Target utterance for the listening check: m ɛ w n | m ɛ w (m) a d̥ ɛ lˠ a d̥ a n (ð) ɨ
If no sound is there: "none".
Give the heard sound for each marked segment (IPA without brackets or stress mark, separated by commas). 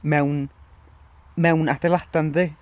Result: n, ð